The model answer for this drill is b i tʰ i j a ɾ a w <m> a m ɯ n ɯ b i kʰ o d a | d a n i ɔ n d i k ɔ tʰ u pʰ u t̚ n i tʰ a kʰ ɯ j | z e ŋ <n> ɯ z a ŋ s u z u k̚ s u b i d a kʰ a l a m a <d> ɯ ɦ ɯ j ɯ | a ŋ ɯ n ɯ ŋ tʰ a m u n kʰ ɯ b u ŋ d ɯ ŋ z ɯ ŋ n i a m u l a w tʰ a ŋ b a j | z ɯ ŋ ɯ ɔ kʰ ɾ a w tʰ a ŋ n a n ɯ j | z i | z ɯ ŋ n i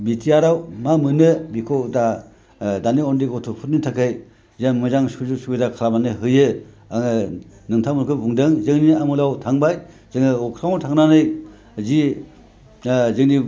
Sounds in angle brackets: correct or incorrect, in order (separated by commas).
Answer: correct, incorrect, incorrect